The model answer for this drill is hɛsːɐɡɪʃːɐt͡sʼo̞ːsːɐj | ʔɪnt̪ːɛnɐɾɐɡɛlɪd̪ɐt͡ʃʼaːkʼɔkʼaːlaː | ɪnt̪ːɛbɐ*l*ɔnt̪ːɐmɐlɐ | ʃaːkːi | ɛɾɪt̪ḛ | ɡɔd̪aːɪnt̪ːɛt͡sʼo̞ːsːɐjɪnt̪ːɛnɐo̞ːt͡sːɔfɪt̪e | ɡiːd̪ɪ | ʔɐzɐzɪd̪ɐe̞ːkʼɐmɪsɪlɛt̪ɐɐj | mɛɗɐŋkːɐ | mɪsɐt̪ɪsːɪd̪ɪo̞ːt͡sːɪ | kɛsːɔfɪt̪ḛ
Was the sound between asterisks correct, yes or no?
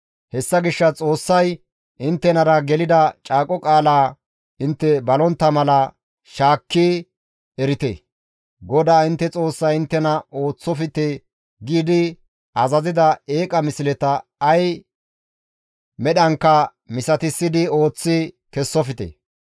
yes